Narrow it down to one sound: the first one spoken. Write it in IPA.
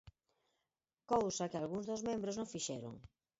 k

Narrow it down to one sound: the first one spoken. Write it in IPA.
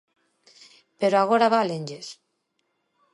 p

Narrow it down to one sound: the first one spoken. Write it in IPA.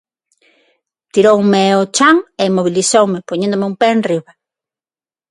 t̪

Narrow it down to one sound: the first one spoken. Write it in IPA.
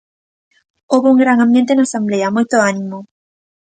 o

